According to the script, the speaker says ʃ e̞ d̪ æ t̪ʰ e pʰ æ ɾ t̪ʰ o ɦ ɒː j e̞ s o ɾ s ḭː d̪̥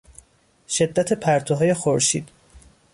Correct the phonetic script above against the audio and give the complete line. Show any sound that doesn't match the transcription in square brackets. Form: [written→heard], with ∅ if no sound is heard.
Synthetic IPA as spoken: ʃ e̞ [d̪→d̪ː] æ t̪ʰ e pʰ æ ɾ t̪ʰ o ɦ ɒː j e̞ [s→x] o ɾ [s→ʃ] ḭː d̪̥

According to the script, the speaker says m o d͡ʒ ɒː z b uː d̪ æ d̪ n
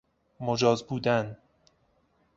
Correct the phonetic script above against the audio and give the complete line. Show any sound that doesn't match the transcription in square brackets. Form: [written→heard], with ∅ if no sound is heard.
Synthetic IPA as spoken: m o d͡ʒ ɒː z b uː d̪ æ [d̪→∅] n

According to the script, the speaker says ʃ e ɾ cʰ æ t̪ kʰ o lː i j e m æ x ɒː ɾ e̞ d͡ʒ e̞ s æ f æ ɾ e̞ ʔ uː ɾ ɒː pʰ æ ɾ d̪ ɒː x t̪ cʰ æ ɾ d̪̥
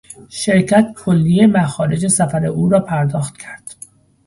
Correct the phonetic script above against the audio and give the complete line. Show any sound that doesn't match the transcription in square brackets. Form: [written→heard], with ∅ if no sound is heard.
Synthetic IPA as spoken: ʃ e ɾ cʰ æ t̪ kʰ o lː i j e m æ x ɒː ɾ e̞ d͡ʒ e̞ s æ f æ ɾ e̞ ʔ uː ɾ ɒː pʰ æ ɾ d̪ ɒː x t̪ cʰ æ ɾ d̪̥

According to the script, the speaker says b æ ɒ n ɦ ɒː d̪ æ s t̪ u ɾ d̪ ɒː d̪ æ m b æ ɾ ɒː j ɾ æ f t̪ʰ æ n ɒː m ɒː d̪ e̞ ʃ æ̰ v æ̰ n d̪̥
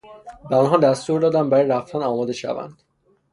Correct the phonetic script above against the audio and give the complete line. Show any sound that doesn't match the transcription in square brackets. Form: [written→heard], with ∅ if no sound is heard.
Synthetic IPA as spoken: b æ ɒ n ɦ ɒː d̪ æ s t̪ u ɾ d̪ ɒː d̪ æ m b æ ɾ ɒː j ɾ æ f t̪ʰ æ n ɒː m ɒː d̪ e̞ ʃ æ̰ v æ̰ n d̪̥

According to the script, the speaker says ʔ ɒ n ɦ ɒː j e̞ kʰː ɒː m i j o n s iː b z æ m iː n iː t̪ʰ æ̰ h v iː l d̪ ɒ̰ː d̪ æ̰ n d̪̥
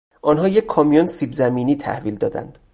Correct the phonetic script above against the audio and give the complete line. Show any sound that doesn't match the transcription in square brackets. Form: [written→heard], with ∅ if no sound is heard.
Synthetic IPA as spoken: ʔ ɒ n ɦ ɒː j e̞ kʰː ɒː m i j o n s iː b z æ m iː n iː t̪ʰ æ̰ h v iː l d̪ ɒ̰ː d̪ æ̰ n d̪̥

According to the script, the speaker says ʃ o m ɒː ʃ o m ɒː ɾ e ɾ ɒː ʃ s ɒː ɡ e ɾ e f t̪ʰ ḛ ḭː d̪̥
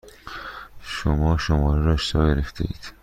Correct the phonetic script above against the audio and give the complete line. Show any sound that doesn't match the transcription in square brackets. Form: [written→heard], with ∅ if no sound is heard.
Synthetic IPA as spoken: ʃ o m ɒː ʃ o m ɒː ɾ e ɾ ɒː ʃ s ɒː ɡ e ɾ e f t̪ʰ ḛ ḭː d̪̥

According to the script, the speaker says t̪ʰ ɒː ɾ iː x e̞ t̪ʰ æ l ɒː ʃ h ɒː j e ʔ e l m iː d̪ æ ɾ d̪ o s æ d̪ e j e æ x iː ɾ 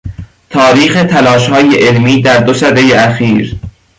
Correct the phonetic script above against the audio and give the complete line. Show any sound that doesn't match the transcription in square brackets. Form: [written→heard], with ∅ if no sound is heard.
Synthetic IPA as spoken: t̪ʰ ɒː ɾ iː x e̞ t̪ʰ æ l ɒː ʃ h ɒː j e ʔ e l m iː d̪ æ ɾ d̪ o s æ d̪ e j e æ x iː ɾ

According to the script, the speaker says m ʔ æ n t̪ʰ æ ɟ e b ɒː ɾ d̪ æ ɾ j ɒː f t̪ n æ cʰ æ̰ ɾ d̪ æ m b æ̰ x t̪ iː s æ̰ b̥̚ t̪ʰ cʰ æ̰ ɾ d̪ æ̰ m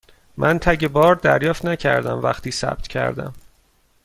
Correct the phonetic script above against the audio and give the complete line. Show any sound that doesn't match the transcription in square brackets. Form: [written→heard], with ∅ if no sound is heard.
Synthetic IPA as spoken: m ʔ æ n t̪ʰ æ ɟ e b ɒː ɾ d̪ æ ɾ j ɒː f t̪ n æ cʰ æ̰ ɾ d̪ æ m [b→v] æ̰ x t̪ iː s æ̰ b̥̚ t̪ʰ cʰ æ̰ ɾ d̪ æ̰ m

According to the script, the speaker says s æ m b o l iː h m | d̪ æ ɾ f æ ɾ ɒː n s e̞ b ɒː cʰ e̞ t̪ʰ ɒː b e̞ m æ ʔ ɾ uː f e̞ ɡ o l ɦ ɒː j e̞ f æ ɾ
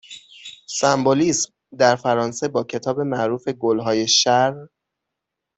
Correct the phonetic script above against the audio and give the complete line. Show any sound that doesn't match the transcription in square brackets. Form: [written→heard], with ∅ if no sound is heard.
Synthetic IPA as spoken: s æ m b o l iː [h→s] m | d̪ æ ɾ f æ ɾ ɒː n s e̞ b ɒː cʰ e̞ t̪ʰ ɒː b e̞ m æ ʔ ɾ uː f e̞ ɡ o l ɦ ɒː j e̞ [f→ʃ] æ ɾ

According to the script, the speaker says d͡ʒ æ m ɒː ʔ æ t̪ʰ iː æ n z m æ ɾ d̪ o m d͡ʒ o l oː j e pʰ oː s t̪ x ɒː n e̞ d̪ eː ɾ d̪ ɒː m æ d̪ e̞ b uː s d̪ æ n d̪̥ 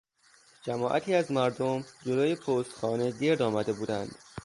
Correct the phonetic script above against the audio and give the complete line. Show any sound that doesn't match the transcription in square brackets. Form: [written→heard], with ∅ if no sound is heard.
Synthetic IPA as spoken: d͡ʒ æ m ɒː ʔ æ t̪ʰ iː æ [n→∅] z m æ ɾ d̪ o m d͡ʒ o l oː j e pʰ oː s t̪ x ɒː n e̞ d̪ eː ɾ d̪ ɒː m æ d̪ e̞ b uː [s→∅] d̪ æ n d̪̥

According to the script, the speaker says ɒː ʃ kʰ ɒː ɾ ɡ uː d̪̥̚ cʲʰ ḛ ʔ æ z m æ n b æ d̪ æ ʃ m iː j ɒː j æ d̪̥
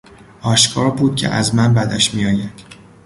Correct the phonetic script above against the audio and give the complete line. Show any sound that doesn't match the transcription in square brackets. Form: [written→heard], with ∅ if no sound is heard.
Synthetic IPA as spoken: ɒː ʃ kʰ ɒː ɾ [ɡ→b] uː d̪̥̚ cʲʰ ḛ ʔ æ z m æ n b æ d̪ æ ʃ m [iː→i] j ɒː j æ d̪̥

